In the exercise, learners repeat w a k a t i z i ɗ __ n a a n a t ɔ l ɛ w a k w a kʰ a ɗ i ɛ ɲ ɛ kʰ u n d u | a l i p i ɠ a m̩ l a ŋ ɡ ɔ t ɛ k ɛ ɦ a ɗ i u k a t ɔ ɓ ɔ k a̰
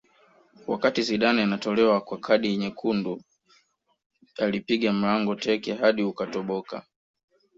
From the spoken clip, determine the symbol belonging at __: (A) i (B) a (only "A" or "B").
B